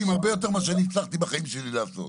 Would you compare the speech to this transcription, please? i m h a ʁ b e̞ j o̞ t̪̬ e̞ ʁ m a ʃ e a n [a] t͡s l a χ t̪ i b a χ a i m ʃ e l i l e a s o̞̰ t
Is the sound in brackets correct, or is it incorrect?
incorrect